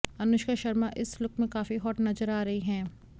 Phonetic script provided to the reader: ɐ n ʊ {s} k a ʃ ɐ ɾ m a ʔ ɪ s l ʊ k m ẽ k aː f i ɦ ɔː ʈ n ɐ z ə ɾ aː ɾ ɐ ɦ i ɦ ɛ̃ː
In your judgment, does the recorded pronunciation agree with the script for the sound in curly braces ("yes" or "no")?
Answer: no